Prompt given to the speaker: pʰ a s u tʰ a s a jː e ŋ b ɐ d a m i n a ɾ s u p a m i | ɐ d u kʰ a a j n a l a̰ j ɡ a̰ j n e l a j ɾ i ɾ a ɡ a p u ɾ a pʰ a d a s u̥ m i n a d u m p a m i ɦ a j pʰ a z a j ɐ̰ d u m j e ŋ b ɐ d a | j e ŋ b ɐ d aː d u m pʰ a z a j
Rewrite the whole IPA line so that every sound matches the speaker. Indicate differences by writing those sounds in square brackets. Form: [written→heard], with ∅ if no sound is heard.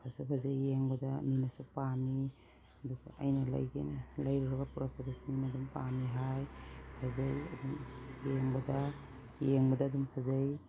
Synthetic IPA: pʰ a s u [tʰ→pʰ] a [s→z] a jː e ŋ b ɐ d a m i n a [ɾ→∅] s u p a m i | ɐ d u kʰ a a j n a l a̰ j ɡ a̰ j n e l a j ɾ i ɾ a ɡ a p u ɾ a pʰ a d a s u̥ m i n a d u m p a m i ɦ a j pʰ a z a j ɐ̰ d u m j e ŋ b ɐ d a | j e ŋ b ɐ d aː d u m pʰ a z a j